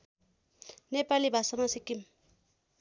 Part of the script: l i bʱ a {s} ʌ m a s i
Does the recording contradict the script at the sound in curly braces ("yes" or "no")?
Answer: no